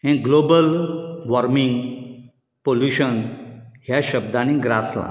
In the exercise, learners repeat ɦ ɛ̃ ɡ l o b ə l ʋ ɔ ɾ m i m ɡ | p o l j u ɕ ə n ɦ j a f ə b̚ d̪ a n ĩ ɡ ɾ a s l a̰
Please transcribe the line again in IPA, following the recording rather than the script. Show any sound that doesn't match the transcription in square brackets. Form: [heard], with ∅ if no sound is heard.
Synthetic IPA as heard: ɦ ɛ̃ ɡ l o b ə l ʋ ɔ ɾ m i [ŋ] ɡ | p o l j u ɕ ə n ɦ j a [ɕ] ə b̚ d̪ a n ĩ ɡ ɾ a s l a̰